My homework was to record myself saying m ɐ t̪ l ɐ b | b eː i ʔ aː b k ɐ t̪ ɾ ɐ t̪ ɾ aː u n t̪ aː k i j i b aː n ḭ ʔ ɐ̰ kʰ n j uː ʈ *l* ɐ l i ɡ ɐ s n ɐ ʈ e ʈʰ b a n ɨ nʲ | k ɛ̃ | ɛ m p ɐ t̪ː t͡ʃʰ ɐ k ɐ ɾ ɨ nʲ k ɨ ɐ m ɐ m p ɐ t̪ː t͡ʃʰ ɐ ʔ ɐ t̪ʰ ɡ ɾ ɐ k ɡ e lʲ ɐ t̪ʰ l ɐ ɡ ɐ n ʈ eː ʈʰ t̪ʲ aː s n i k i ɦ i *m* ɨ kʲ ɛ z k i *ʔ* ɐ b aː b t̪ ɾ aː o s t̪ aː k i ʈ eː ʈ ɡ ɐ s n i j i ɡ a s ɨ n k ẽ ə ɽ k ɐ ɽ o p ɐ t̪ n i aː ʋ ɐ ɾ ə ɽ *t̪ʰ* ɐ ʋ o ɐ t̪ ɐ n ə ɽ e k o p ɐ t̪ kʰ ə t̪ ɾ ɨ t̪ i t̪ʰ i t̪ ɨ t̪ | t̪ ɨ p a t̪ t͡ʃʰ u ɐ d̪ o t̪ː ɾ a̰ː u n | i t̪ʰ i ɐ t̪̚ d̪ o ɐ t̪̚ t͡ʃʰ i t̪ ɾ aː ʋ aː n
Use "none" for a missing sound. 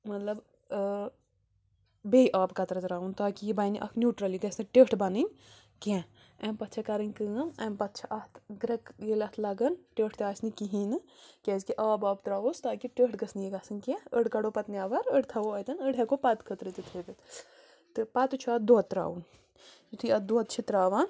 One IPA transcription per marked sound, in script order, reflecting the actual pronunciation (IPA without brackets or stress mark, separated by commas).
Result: ɾ, n, ʔ, t̪ʰ